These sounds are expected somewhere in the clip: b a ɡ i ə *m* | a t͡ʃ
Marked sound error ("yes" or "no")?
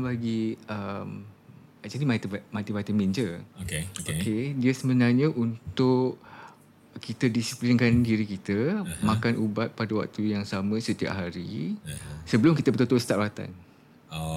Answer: no